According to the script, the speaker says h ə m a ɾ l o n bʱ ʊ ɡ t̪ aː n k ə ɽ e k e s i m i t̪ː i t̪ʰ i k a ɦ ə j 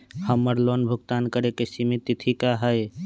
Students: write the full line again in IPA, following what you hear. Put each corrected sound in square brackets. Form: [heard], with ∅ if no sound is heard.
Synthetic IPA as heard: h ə m [ə] ɾ l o n bʱ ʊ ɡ t̪ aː n k ə [ɾ] e k e s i m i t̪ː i t̪ʰ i k a ɦ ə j